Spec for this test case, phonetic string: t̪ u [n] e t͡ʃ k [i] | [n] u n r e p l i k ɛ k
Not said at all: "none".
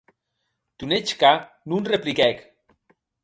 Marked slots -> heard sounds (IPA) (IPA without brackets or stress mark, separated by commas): n, a, n